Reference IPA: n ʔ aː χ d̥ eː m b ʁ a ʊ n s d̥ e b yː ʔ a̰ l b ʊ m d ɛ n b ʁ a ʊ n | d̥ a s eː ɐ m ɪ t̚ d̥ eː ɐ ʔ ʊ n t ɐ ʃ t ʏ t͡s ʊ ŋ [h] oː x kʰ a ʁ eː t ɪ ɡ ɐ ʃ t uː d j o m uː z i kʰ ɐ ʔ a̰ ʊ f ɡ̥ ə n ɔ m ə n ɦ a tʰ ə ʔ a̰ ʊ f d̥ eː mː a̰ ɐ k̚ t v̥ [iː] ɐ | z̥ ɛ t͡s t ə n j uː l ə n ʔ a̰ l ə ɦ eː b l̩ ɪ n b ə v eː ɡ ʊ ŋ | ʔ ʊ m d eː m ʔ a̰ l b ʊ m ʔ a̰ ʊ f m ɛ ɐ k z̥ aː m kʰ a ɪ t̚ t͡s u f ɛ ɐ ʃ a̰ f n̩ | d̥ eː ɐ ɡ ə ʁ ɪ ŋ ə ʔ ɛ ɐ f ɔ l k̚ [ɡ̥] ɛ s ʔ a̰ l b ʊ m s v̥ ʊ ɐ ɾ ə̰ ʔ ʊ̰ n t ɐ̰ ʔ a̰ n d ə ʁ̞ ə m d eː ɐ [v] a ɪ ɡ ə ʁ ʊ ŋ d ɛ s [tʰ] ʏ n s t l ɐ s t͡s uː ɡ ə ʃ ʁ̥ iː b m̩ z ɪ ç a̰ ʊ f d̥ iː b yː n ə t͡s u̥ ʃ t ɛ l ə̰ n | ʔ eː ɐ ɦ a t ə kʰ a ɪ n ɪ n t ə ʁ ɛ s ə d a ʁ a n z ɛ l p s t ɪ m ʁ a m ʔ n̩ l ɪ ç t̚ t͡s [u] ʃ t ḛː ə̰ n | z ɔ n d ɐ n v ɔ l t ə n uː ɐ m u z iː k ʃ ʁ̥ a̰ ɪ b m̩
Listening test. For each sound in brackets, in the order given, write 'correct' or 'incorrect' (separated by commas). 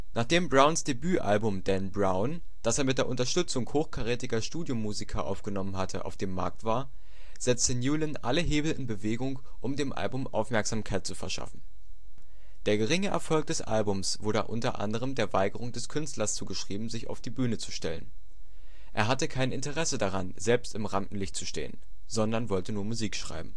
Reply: correct, incorrect, incorrect, correct, incorrect, correct